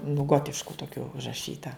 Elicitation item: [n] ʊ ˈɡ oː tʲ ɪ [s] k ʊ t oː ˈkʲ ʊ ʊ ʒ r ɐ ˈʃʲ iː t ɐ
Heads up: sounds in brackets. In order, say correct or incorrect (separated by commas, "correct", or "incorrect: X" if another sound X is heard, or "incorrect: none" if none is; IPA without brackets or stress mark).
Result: correct, incorrect: ʃ